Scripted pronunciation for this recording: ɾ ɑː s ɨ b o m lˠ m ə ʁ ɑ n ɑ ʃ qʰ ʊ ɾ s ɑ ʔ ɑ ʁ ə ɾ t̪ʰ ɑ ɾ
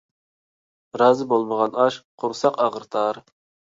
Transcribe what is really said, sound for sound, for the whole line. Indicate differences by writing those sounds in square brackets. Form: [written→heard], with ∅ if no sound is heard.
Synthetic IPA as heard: ɾ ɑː [s→z] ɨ b o [m→∅] lˠ m ə ʁ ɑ n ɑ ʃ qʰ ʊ ɾ s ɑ [ʔ→q] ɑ ʁ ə ɾ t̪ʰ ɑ ɾ

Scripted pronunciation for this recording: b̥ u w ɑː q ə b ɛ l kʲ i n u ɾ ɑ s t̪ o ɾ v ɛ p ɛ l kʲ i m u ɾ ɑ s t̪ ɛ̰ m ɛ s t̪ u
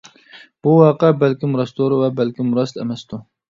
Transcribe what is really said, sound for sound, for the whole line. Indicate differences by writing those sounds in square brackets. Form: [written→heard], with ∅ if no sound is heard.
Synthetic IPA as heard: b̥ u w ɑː q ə b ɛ l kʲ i [n→m] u ɾ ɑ s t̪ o ɾ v ɛ [p→b] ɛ l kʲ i m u ɾ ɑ s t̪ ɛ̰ m ɛ s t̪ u

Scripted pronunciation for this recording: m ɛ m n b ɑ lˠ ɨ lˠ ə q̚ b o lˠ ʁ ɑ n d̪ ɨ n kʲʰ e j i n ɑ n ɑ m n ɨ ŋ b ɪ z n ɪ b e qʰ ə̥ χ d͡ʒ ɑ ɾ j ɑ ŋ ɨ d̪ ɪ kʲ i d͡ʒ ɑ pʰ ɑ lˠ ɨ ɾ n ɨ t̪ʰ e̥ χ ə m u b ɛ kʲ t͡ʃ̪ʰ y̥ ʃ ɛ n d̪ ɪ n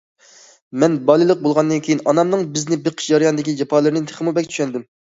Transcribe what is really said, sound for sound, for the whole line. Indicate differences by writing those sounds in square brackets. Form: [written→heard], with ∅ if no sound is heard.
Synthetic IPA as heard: m ɛ [m→∅] n b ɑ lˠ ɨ lˠ ə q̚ b o lˠ ʁ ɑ n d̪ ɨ n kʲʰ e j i n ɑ n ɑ m n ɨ ŋ b ɪ z n ɪ b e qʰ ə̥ [χ→ʃ] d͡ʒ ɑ ɾ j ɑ [ŋ→n] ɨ d̪ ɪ kʲ i d͡ʒ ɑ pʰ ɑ lˠ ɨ ɾ n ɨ t̪ʰ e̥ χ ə m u b ɛ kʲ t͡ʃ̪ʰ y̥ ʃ ɛ n d̪ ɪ [n→m]

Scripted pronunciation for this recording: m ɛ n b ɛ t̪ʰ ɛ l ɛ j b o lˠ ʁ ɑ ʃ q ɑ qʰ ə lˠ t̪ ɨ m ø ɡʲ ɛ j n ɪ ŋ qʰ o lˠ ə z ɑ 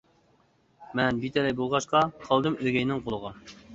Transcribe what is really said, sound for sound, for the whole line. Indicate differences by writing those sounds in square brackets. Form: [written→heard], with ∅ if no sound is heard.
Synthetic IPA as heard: m ɛ n b [ɛ→i] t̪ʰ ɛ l ɛ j b o lˠ ʁ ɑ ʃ q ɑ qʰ [ə→ɑ] lˠ [t̪→d̪] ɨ m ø ɡʲ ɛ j n ɪ ŋ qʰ o lˠ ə [z→ʁ] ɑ

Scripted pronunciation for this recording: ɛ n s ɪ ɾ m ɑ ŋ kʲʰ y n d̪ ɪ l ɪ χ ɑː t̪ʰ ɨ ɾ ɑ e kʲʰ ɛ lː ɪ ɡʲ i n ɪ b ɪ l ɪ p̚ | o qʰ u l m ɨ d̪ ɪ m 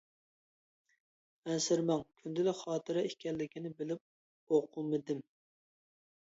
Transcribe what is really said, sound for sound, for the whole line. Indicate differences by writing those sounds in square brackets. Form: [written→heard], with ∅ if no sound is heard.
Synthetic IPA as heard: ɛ n s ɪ ɾ m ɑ ŋ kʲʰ y n d̪ ɪ l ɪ χ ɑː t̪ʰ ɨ ɾ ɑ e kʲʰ ɛ lː ɪ [ɡʲ→kʲ] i n ɪ b ɪ l ɪ p̚ | o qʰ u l m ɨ d̪ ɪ m

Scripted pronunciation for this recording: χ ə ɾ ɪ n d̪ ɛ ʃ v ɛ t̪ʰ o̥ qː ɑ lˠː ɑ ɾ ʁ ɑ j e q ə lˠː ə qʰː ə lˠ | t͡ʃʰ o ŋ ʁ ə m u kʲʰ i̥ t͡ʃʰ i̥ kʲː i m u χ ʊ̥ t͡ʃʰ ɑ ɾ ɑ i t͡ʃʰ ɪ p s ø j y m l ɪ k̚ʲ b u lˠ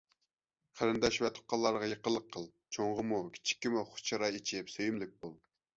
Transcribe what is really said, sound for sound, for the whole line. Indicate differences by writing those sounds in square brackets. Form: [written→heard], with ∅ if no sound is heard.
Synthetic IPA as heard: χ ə ɾ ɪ n d̪ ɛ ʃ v ɛ t̪ʰ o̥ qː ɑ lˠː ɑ ɾ ʁ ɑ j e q ə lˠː ə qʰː ə lˠ | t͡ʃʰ o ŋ ʁ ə m u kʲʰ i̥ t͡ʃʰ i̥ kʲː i m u χ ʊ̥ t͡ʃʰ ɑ ɾ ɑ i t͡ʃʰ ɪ p s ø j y m l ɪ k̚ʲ b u lˠ

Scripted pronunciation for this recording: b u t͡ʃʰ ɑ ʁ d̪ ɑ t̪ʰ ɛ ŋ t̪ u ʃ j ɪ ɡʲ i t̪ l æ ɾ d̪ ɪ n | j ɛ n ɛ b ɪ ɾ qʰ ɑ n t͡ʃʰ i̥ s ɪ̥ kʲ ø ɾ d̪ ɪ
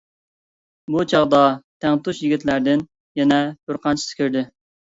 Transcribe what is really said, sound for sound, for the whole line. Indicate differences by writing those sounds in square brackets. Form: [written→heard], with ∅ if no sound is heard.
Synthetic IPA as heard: b u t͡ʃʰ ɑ ʁ d̪ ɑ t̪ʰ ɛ ŋ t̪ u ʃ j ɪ ɡʲ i t̪ l æ ɾ d̪ ɪ n | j ɛ n ɛ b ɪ ɾ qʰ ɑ n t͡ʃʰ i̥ s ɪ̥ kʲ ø ɾ d̪ ɪ

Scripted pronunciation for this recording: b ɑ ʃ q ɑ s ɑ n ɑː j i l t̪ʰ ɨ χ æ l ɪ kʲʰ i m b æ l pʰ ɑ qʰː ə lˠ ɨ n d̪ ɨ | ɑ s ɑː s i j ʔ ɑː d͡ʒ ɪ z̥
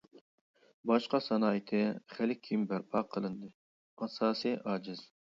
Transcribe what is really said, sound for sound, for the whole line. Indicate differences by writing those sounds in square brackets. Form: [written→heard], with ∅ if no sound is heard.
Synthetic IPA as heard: b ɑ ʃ q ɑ s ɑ n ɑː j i [l→∅] t̪ʰ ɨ χ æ l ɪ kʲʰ i m b æ [l→ɾ] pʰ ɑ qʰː ə lˠ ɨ n d̪ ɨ | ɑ s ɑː s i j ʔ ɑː d͡ʒ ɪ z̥

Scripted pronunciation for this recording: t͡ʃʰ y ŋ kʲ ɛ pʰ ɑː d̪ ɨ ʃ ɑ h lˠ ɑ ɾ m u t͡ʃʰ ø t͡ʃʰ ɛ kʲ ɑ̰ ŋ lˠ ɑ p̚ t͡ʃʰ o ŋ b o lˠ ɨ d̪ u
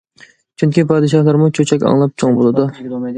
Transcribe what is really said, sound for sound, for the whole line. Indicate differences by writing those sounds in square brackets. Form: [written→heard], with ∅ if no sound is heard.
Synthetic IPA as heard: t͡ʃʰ y ŋ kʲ [ɛ→i] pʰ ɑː d̪ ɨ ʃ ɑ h lˠ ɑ ɾ m u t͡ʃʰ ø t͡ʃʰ ɛ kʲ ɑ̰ ŋ lˠ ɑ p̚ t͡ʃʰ o ŋ b o lˠ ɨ d̪ u

